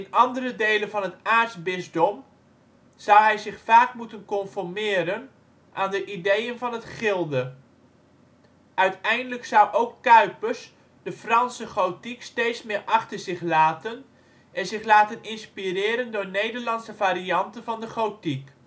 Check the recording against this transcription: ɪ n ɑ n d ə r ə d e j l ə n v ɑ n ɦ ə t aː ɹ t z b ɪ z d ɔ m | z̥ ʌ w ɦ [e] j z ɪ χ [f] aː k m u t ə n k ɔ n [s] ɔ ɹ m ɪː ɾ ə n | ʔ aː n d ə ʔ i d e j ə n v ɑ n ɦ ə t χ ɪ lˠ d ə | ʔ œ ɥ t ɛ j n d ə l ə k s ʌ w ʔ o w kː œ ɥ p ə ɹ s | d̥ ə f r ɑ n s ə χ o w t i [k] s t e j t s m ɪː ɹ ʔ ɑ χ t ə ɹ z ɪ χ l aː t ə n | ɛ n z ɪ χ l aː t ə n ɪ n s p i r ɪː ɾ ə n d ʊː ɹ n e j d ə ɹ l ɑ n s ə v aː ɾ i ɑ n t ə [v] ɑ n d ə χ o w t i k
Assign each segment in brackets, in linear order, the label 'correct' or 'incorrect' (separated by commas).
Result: incorrect, correct, incorrect, correct, correct